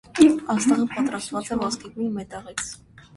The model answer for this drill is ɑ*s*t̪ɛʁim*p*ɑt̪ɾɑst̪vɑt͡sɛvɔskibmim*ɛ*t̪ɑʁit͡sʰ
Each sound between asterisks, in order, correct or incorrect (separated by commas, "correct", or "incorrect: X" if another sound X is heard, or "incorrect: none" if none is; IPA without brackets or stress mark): correct, correct, correct